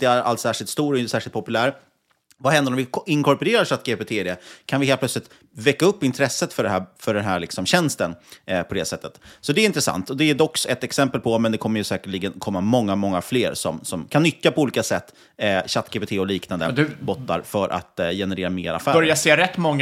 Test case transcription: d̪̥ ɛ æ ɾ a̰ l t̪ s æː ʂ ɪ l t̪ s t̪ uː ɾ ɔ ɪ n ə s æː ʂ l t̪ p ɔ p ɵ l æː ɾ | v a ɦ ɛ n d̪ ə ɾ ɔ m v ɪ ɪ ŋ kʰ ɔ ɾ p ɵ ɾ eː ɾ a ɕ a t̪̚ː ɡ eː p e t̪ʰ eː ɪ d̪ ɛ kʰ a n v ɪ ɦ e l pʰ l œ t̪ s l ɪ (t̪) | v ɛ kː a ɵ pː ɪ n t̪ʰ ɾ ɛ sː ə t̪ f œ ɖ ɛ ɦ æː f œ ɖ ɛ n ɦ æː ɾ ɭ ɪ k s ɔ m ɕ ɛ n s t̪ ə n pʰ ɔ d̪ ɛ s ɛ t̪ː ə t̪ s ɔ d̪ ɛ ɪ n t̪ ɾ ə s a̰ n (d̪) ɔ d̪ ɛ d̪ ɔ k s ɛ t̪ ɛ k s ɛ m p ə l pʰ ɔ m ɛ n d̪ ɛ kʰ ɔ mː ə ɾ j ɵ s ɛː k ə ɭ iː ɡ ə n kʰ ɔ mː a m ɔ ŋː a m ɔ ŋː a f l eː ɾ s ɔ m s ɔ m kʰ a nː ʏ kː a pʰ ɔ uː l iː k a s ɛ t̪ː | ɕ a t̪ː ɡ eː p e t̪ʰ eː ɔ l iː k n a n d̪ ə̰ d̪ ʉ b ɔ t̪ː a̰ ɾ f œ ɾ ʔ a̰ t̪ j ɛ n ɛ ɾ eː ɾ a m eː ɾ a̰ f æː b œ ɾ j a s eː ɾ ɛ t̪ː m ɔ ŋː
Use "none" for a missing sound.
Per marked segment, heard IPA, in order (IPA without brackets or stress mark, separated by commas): t̪, t̪